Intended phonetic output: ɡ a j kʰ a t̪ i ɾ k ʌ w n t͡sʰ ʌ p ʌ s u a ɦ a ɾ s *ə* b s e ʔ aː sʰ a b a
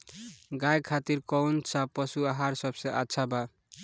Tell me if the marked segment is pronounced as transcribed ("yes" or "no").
no